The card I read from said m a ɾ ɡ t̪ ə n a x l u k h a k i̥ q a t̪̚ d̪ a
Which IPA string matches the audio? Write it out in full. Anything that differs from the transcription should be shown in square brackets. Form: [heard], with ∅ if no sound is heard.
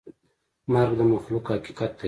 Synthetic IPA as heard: m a ɾ ɡ [d̪] ə [m] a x l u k h a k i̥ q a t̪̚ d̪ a